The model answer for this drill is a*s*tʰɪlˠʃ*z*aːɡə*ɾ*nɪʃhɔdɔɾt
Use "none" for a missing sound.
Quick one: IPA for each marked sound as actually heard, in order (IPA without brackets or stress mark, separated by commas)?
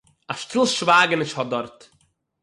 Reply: ʃ, v, none